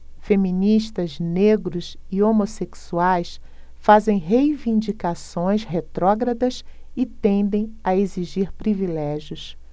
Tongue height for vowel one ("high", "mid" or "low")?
mid